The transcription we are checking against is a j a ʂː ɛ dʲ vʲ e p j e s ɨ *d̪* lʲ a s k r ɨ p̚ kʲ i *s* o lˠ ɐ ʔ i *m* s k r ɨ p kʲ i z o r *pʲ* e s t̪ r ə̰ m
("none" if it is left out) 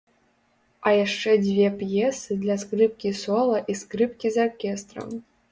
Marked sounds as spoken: d̪, s, none, kʲ

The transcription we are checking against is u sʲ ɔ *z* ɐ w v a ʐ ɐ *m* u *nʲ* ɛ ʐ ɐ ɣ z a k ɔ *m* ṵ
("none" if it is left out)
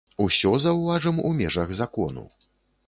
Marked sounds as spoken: z, m, mʲ, n

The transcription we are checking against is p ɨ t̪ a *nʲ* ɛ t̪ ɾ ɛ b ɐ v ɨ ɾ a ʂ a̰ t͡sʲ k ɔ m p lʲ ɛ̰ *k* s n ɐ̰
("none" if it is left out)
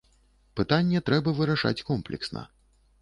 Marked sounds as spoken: nʲː, k

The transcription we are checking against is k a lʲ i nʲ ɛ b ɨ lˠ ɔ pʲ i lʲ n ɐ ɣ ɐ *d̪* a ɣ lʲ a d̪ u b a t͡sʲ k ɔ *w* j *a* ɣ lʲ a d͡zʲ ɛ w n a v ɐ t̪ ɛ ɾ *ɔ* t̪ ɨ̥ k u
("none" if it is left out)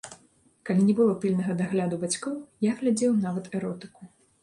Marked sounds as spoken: d̪, w, a, ɔ

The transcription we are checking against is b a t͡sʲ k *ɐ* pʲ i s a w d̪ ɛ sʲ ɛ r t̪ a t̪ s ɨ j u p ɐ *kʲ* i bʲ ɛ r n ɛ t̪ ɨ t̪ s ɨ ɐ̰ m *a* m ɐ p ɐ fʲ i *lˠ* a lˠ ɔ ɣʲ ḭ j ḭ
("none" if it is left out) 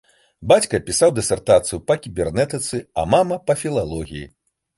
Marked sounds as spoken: ɐ, kʲ, a, lˠ

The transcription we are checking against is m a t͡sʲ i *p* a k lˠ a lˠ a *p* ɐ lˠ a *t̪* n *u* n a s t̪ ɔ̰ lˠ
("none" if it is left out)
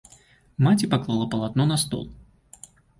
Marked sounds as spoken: p, p, t̪, ɔ

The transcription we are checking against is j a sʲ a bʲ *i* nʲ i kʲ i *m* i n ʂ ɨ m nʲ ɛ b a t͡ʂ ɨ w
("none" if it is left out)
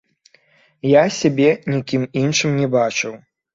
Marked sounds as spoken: ɛ, m

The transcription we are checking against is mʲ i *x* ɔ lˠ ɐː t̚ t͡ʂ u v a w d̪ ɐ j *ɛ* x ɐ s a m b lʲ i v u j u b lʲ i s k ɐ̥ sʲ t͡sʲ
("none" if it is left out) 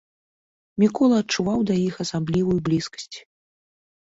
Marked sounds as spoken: k, i

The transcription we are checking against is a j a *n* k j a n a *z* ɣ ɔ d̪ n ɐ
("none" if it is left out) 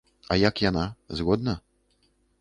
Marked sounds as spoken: none, z

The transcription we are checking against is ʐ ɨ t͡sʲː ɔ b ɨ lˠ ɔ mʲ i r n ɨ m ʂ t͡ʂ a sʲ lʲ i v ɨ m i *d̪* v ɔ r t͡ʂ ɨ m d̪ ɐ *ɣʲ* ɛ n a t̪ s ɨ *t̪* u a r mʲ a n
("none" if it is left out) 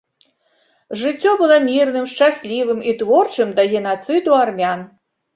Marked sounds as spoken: t̪, ɣʲ, d̪

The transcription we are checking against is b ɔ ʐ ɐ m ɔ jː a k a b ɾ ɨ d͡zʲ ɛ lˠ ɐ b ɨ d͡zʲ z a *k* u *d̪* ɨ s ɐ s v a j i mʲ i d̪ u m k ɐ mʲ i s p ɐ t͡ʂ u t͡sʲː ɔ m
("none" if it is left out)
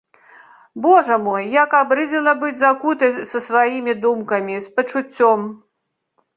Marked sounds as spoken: k, t̪

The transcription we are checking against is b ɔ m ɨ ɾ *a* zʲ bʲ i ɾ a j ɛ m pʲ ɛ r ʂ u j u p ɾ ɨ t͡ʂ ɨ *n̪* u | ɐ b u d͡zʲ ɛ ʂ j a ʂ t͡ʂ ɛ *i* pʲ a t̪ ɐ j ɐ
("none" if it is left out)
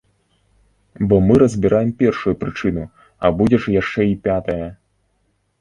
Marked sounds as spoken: ɐ, n̪, i

